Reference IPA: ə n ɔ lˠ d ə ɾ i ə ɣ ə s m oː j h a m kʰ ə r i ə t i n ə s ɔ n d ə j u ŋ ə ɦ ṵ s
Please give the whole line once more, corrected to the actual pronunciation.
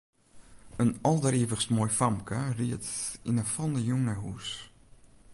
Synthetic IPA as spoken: ə n ɔ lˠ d ə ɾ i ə v ə s m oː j f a m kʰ ə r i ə t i n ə f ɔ n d ə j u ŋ ə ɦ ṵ s